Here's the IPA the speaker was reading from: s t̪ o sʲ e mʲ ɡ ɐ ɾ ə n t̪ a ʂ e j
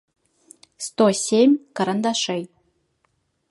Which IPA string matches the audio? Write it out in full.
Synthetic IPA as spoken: s t̪ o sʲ e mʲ k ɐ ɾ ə n d̪ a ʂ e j

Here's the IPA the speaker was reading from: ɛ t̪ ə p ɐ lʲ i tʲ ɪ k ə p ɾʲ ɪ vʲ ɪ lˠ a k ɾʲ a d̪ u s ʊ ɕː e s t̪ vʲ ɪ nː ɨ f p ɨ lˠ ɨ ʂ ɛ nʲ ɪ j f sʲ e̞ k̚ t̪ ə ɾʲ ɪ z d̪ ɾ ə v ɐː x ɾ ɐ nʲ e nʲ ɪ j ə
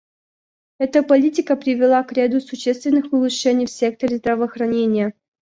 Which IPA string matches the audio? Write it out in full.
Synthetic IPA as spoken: ɛ t̪ ə p ɐ lʲ i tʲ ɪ k ə p ɾʲ ɪ vʲ ɪ lˠ a k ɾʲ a d̪ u s ʊ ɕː e s t̪ vʲ ɪ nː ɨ x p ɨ lˠ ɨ ʂ ɛ nʲ ɪ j f sʲ e̞ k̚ t̪ ə ɾʲ ɪ z d̪ ɾ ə v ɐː x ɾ ɐ nʲ e nʲ ɪ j ə

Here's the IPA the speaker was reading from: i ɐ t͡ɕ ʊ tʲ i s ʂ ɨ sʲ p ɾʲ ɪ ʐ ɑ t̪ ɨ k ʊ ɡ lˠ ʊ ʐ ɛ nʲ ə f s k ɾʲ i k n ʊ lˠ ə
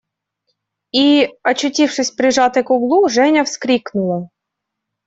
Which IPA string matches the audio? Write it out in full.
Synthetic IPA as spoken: i ɐ t͡ɕ ʊ tʲ i f ʂ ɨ sʲ p ɾʲ ɪ ʐ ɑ t̪ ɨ k ʊ ɡ lˠ u ʐ ɛ nʲ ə f s k ɾʲ i k n ʊ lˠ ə

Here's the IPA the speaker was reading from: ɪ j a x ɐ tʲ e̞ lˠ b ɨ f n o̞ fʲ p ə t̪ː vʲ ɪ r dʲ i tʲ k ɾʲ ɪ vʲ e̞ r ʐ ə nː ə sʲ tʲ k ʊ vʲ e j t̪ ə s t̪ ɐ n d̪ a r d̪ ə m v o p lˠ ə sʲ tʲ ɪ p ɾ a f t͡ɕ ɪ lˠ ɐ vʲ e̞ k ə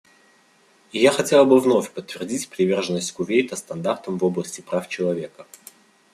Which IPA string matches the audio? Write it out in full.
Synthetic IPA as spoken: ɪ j a x ɐ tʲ e̞ lˠ b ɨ v n o̞ fʲ p ə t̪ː vʲ ɪ r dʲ i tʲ p ɾʲ ɪ vʲ e̞ r ʐ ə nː ə sʲ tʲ k ʊ vʲ e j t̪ ə s t̪ ɐ n d̪ a r t̪ ə m v o b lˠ ə sʲ tʲ ɪ p ɾ a f t͡ɕ ɪ lˠ ɐ vʲ e̞ k ə

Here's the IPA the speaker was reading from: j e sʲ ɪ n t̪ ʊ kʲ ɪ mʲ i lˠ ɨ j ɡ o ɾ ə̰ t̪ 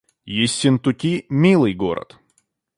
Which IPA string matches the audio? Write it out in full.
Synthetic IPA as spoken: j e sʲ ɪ n t̪ ʊ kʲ i mʲ i lˠ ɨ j ɡ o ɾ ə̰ t̪

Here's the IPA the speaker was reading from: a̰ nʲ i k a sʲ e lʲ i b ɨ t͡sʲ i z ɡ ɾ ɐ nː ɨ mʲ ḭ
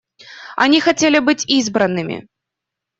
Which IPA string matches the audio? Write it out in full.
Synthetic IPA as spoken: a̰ nʲ i x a t͡sʲ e lʲ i b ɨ t͡sʲ i z b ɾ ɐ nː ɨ mʲ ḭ

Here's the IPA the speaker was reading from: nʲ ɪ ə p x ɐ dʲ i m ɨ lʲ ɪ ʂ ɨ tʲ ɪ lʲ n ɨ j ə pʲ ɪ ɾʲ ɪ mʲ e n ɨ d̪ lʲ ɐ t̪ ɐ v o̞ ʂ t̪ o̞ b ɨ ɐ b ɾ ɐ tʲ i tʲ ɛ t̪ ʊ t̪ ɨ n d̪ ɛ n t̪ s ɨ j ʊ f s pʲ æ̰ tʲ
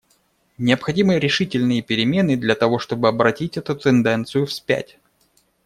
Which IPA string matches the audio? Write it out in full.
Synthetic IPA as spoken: nʲ ɪ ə p x ɐ dʲ i m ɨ ɾʲ ɪ ʂ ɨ tʲ ɪ lʲ n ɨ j ə pʲ ɪ ɾʲ ɪ mʲ e n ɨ d̪ lʲ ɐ t̪ ɐ v o̞ ʂ t̪ o̞ b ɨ ɐ b ɾ ɐ tʲ i tʲ ɛ t̪ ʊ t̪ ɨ n d̪ ɛ n t̪ s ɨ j ʊ f s pʲ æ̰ tʲ

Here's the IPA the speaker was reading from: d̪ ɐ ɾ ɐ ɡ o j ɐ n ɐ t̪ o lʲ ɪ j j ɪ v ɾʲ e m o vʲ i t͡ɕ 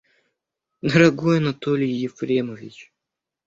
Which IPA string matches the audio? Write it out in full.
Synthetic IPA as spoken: d̪ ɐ ɾ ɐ ɡ o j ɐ n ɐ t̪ o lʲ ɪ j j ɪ f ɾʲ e m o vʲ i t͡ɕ

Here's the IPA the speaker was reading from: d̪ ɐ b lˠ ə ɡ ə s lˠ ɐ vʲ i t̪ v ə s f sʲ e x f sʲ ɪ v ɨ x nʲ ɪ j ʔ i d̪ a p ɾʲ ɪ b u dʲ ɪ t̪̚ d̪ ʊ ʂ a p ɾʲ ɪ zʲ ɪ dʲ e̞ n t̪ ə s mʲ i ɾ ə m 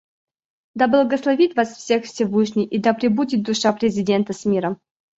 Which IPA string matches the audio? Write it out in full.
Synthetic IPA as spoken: d̪ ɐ b lˠ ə ɡ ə s lˠ ɐ vʲ i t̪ v a s f sʲ e x f sʲ ɪ v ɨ ʂ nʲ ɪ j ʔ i d̪ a p ɾʲ ɪ b u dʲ ɪ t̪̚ d̪ ʊ ʂ a p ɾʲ ɪ zʲ ɪ dʲ e̞ n t̪ ə s mʲ i ɾ ə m

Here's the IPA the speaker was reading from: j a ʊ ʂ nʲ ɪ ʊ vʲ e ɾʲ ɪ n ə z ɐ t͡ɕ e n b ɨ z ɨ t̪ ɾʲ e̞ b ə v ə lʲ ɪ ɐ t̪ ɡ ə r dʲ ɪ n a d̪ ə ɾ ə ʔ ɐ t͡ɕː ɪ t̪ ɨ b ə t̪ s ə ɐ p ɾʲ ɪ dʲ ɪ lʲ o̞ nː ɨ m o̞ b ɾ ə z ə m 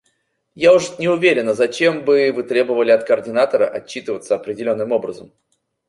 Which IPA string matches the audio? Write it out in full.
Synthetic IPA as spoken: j a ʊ ʂ nʲ ɪ ʊ vʲ e ɾʲ ɪ n ə z ɐ t͡ɕ e m b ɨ v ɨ t̪ ɾʲ e̞ b ə v ə lʲ ɪ ɐ t̪ k ə r dʲ ɪ n a t̪ ə ɾ ə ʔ ɐ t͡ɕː i t̪ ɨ v ə t̪ s ə ɐ p ɾʲ ɪ dʲ ɪ lʲ o̞ nː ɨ m o̞ b ɾ ə z ə m

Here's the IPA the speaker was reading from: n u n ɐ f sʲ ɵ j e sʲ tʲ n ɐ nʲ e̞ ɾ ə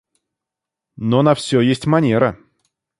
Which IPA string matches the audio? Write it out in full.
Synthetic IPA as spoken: n o n ɐ f sʲ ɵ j e sʲ tʲ m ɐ nʲ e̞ ɾ ə

